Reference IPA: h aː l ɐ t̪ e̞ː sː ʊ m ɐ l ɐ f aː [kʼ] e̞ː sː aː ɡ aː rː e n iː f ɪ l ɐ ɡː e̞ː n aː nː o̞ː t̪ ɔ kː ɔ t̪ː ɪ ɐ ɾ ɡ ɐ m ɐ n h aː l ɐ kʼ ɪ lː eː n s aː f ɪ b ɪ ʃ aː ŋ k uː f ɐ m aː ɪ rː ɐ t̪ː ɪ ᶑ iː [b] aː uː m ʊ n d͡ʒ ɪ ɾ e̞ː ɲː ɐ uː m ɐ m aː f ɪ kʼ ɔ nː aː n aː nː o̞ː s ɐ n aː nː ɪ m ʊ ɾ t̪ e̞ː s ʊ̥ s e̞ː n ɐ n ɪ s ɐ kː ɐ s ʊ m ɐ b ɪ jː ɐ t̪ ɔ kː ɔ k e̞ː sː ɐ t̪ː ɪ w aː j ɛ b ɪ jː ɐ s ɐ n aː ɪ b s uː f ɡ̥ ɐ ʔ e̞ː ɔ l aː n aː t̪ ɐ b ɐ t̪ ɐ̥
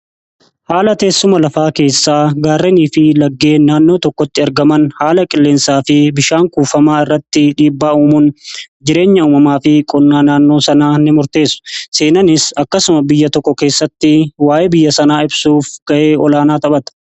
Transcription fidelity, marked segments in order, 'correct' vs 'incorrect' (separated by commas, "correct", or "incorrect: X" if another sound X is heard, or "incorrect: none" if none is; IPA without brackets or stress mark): incorrect: k, incorrect: bː